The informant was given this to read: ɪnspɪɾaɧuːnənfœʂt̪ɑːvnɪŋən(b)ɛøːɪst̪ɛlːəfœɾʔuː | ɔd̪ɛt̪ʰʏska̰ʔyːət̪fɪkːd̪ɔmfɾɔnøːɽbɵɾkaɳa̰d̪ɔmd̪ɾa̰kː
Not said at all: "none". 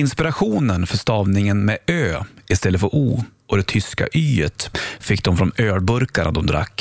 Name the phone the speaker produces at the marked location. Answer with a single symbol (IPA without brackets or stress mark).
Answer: m